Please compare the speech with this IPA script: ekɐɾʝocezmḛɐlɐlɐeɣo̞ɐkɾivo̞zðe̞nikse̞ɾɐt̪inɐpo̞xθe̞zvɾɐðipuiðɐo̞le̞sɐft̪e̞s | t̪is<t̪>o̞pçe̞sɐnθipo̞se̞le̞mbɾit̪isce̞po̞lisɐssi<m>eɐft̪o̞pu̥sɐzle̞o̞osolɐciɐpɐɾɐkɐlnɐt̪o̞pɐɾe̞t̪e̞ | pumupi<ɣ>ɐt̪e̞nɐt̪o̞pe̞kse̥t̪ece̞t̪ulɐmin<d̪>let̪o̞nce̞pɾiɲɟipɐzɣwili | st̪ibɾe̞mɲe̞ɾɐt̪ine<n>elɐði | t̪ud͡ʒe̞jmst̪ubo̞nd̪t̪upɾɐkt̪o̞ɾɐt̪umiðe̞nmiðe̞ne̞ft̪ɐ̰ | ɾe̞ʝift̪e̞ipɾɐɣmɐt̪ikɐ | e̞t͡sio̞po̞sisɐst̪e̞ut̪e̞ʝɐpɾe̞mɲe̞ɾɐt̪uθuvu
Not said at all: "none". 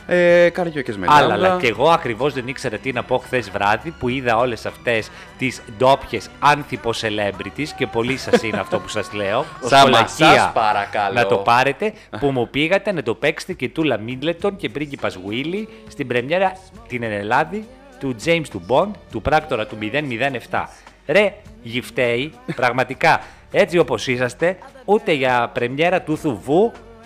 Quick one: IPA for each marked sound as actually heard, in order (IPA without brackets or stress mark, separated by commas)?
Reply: d̪, n, ɣ, d̪, n